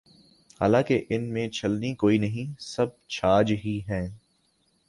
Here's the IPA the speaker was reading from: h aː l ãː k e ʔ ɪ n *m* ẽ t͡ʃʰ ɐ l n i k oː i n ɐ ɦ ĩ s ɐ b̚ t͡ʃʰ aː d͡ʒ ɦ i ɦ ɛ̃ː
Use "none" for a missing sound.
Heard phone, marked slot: m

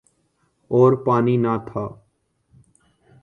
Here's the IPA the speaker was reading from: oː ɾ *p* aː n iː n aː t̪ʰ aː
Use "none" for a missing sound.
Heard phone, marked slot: p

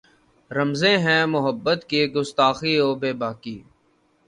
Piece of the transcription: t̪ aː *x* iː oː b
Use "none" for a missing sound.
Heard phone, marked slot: x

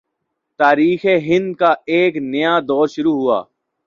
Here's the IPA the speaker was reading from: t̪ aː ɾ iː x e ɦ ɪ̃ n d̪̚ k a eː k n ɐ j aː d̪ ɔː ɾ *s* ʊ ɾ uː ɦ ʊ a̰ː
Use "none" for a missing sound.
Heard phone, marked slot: ʃ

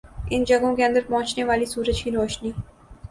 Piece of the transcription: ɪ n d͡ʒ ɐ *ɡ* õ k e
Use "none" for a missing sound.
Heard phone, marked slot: ɡ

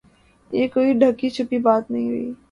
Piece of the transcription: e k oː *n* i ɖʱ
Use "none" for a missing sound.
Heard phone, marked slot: none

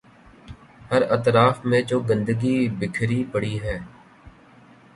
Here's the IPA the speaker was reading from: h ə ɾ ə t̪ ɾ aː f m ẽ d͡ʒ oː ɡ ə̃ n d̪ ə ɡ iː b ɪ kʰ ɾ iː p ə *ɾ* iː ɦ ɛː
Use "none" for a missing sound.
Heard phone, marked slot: ɽ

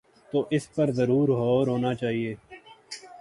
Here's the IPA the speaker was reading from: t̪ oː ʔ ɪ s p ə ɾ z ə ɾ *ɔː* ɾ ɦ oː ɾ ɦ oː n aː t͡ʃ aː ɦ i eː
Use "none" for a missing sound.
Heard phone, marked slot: uː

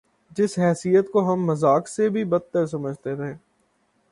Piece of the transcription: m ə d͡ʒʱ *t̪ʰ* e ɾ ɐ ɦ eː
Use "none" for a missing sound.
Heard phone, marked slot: t̪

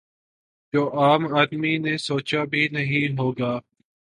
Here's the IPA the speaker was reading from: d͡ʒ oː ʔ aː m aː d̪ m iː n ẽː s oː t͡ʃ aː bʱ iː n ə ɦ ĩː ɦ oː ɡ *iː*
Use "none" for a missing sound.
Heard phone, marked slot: aː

